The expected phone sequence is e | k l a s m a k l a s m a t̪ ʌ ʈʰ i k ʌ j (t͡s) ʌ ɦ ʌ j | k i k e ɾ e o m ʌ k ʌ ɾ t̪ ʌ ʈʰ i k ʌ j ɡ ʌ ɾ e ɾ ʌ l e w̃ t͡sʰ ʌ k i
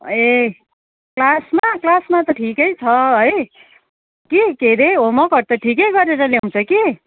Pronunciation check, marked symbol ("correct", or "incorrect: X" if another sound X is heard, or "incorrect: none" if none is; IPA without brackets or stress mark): incorrect: t͡sʰ